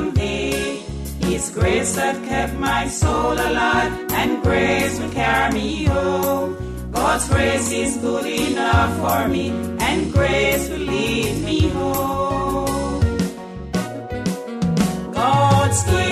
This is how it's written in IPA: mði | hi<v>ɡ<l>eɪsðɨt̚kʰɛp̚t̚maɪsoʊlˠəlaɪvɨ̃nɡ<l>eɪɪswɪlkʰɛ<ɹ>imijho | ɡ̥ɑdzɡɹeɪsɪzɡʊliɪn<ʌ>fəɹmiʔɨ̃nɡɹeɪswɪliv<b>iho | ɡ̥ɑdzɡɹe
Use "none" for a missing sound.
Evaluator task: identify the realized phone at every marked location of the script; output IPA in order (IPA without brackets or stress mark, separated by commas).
z, ɹ, ɹ, ɹ, ʌ, m